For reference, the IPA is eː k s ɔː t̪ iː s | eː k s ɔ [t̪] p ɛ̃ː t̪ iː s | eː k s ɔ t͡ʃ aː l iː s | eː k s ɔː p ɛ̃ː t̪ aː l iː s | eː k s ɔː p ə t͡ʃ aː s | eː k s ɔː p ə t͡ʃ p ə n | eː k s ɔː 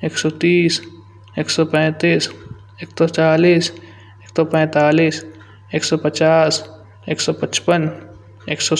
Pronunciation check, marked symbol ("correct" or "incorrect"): incorrect